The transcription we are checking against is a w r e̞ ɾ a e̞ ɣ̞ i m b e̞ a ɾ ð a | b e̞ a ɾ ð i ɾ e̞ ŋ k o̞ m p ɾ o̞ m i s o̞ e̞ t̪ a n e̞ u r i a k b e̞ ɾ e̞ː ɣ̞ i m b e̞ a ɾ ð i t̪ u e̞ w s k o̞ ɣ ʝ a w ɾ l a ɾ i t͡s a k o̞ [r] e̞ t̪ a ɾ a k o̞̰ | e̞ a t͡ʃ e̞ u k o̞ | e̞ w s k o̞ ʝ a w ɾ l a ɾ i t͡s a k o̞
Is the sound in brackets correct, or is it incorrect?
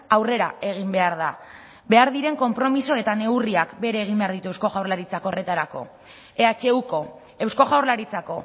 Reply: correct